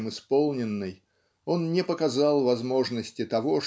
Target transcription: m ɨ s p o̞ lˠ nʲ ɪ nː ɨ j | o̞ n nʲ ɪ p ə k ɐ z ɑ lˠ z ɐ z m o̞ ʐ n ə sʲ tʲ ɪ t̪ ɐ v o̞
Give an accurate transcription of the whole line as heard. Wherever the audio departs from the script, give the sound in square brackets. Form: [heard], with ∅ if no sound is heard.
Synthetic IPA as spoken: m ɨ s p o̞ lˠ nʲ ɪ nː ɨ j | o̞ n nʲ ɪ p ə k ɐ z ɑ lˠ [v] ɐ z m o̞ ʐ n ə sʲ tʲ ɪ t̪ ɐ v o̞